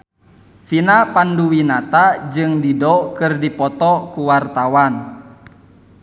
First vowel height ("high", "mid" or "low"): high